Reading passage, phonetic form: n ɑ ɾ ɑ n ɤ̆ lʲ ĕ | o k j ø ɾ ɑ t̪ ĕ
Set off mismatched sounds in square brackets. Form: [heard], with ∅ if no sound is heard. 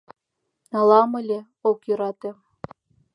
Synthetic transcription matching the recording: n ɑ [l] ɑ [m] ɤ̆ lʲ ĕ | o k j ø ɾ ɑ t̪ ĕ